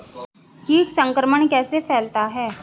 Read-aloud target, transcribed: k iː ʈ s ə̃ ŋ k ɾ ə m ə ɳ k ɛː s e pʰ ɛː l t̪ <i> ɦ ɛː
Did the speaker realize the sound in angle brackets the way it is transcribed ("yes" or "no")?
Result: no